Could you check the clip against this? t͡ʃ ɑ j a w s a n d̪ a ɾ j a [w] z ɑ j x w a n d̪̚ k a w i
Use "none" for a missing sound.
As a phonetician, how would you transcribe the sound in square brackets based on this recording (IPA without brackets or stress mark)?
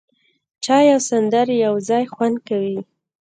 w